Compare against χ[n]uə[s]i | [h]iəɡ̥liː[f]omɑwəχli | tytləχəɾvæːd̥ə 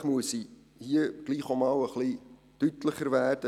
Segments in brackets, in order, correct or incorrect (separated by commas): incorrect, correct, correct, incorrect